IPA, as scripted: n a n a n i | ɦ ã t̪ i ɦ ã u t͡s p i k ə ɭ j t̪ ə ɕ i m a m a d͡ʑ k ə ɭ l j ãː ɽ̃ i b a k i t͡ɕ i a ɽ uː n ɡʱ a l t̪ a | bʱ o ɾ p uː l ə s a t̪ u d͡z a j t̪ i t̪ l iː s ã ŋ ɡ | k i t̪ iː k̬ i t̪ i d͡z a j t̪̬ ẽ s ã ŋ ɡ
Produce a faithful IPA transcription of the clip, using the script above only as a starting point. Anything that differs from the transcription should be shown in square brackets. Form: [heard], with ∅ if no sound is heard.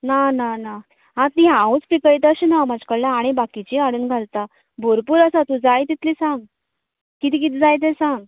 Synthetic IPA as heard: n a n a n [a] | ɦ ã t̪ i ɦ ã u t͡s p i k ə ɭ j t̪ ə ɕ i [n] a m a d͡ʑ k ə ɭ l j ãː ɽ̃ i b a k i t͡ɕ i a ɽ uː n ɡʱ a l t̪ a | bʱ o ɾ p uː [ɾ] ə s a t̪ u d͡z a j t̪ i t̪ l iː s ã ŋ ɡ | k i t̪ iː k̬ i t̪ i d͡z a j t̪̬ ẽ s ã ŋ ɡ